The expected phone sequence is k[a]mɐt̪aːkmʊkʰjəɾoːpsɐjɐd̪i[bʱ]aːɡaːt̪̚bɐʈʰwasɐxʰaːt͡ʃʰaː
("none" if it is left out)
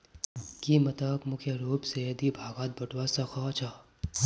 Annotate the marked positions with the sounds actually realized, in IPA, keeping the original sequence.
i, bʱ

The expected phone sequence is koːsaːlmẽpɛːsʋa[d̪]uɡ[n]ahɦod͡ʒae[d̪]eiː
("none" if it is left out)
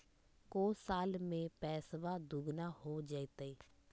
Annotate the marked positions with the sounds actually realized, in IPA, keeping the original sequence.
d̪, n, t̪

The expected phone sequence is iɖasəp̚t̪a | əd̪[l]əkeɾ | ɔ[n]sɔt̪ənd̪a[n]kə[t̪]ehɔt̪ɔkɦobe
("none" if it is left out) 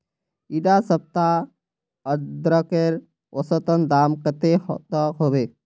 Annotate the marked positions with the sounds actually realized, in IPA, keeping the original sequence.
ɾ, none, m, t̪

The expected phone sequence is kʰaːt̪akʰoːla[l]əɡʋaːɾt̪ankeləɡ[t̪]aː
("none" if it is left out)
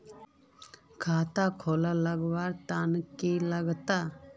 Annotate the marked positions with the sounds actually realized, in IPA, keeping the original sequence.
l, t̪

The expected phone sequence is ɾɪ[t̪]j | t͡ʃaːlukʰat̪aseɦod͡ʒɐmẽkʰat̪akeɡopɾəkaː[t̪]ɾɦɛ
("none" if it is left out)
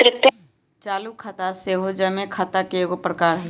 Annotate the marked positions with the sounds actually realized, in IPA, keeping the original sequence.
t̪, none

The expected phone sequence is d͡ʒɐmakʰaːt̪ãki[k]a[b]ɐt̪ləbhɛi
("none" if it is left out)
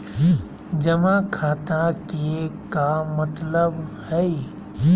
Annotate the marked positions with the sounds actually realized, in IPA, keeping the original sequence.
k, m

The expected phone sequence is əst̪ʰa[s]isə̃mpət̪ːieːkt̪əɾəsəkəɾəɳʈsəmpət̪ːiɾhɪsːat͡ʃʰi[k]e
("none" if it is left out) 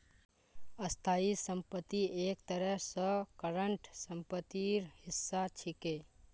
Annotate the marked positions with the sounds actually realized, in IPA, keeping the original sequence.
none, k

